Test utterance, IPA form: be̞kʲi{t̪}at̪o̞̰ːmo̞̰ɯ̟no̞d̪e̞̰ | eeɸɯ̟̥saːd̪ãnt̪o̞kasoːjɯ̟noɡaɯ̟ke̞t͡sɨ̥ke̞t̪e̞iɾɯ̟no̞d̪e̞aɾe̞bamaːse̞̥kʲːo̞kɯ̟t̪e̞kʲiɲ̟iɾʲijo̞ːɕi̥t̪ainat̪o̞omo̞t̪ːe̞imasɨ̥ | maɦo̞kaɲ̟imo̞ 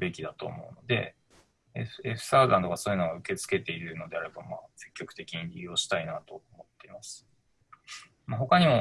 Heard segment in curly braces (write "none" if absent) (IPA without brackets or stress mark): d̪